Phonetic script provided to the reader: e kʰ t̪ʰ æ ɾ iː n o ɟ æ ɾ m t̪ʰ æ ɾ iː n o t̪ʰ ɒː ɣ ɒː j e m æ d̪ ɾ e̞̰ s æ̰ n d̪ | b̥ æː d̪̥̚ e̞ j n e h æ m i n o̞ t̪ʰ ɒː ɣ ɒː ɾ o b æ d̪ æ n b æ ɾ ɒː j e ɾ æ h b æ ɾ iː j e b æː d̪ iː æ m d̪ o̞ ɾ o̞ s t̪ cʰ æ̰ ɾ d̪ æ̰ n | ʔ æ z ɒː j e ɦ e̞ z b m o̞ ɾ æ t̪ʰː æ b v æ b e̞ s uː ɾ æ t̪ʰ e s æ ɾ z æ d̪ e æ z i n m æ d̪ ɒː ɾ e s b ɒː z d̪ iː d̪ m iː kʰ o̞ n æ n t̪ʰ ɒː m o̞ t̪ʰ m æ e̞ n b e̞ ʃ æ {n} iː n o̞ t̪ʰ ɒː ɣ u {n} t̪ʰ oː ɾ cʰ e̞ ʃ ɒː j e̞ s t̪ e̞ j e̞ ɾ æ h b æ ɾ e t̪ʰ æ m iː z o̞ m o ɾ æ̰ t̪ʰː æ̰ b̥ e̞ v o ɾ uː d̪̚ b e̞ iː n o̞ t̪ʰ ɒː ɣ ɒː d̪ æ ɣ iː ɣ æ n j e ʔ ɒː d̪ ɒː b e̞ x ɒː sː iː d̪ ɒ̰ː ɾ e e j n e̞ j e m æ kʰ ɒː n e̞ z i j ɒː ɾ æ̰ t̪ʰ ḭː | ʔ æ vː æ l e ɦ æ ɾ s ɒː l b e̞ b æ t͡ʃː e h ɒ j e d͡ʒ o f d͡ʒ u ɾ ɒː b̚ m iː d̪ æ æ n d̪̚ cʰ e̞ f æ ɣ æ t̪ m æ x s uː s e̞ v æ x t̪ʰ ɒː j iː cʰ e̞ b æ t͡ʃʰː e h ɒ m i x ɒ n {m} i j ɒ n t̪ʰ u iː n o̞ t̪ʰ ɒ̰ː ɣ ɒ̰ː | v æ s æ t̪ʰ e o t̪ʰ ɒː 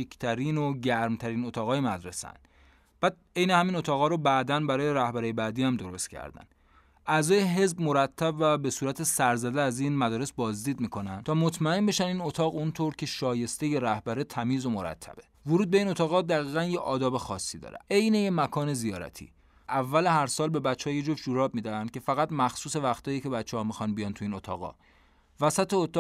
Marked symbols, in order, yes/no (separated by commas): yes, yes, no